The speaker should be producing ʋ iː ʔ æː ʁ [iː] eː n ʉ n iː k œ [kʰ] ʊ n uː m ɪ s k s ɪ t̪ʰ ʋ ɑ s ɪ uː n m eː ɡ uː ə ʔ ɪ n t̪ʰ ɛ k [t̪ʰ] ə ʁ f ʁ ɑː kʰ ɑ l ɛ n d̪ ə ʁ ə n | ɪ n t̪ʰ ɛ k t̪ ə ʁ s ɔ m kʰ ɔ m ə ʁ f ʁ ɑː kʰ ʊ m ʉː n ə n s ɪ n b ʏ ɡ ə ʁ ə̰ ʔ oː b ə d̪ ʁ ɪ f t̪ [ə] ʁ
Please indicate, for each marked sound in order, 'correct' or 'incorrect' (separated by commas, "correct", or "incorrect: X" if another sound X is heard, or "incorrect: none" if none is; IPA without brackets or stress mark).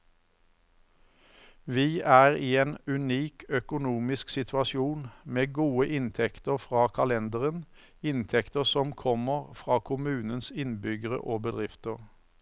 correct, incorrect: k, incorrect: t̪, correct